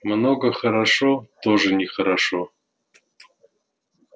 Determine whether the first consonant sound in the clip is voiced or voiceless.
voiced